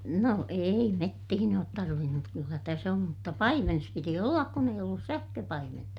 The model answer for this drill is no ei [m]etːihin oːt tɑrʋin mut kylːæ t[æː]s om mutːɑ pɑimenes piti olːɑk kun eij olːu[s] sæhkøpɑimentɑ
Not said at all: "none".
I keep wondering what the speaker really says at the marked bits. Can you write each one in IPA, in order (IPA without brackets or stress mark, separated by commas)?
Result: m, æ, s